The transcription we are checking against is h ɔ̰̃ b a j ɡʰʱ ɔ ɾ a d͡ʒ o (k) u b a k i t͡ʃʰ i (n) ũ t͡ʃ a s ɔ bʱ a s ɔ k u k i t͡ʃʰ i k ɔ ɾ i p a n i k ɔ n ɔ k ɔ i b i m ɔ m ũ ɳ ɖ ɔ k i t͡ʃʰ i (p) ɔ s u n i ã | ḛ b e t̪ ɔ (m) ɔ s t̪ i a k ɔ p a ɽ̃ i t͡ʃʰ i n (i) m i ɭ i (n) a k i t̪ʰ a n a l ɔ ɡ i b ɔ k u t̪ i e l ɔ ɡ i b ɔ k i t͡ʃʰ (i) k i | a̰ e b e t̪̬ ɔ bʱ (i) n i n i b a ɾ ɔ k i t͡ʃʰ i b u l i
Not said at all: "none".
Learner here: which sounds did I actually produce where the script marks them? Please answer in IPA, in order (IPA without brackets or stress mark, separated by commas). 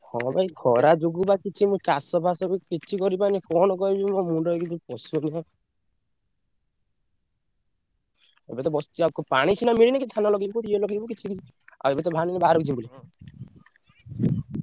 ɡ, m, p, b, a, n, i, a